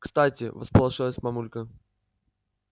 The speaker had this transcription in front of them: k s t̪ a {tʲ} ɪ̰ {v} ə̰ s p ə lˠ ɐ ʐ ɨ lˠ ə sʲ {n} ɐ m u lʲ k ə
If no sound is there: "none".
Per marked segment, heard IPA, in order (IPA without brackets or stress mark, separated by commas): tʲ, v, m